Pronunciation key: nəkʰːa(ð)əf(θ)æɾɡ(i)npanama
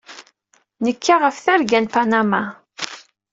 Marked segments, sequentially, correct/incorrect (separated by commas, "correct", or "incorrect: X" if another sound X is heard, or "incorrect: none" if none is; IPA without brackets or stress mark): incorrect: ʁ, correct, incorrect: æ